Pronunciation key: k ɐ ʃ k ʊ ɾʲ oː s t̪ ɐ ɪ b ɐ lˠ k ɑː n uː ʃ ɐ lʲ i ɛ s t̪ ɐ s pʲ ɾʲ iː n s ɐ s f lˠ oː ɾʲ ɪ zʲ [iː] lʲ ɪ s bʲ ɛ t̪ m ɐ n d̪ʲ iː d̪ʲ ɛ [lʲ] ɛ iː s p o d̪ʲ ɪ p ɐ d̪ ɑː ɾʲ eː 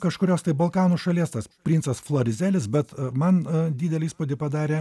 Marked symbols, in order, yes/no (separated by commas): no, yes